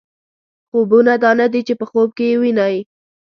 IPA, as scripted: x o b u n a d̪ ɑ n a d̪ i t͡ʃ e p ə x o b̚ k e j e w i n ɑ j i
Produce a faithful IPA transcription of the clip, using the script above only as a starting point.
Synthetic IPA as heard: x o b u n a d̪ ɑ n a d̪ i t͡ʃ e p ə x o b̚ k e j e w i n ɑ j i

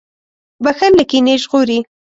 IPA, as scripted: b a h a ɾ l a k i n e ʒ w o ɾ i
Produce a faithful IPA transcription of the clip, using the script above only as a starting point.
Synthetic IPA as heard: b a x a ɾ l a k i n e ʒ ɣ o ɾ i

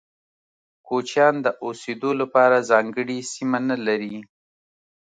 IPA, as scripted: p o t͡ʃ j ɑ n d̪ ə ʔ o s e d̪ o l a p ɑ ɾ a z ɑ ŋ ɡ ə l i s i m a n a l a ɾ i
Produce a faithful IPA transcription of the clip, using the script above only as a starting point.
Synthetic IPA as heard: k o t͡ʃ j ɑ n d̪ ə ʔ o s e d̪ o l a p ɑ ɾ a z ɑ ŋ ɡ ə ɽ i s i m a n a l a ɾ i

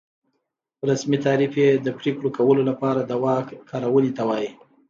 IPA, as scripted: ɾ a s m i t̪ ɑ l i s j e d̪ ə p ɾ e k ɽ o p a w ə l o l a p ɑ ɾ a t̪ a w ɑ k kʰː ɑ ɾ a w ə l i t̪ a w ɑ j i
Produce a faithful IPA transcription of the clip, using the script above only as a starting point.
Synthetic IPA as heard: ɾ a s m i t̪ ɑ ɾ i f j e d̪ ə p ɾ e k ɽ o k a w ə l o l a p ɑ ɾ a d̪ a w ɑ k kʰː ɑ ɾ a w ə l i t̪ a w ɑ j i

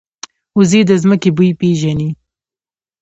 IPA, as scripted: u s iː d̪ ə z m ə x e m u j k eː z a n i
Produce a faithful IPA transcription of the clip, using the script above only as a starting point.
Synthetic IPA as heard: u z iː d̪ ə z m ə k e b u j p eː ʒ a n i

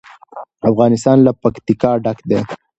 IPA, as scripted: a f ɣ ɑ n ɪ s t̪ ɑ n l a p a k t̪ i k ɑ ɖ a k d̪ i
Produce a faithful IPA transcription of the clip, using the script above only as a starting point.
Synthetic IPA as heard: a f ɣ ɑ n ɪ s t̪ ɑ n l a p a k t̪ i k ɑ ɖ a k d̪ e

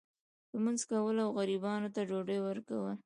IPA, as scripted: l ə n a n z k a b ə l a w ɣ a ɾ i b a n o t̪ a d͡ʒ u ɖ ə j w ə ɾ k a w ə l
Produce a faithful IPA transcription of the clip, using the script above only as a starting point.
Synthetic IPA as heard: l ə m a n z k a w ə l a w ɣ a ɾ i b ɑ n o t̪ a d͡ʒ o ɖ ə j w ə ɾ k a w ə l

